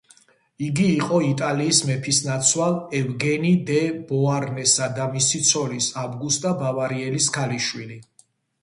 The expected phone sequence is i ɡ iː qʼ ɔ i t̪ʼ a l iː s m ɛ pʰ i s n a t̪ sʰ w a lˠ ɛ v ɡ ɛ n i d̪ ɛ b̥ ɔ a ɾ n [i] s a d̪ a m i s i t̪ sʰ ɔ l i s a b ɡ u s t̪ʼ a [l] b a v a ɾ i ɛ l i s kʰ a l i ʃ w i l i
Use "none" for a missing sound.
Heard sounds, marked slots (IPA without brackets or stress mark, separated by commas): ɛ, none